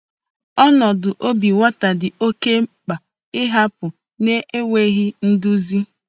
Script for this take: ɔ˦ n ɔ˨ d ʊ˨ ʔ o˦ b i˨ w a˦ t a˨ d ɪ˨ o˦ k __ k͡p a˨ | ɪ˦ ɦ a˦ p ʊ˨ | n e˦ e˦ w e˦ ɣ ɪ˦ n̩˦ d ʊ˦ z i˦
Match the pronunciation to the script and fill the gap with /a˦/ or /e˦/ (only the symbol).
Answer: e˦